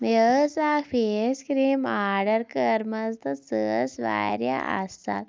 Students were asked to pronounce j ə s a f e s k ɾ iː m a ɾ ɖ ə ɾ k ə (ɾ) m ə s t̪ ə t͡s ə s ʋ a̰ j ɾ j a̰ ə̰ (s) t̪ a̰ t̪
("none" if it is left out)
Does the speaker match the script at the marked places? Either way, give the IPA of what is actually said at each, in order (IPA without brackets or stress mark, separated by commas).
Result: ɾ, s